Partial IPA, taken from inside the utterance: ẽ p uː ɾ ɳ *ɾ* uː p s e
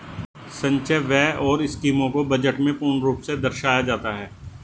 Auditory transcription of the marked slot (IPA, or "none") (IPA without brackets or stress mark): ɾ